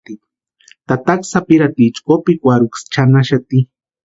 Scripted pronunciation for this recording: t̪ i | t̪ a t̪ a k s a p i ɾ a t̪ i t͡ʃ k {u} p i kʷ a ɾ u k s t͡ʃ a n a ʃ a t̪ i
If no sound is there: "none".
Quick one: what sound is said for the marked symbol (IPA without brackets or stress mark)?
o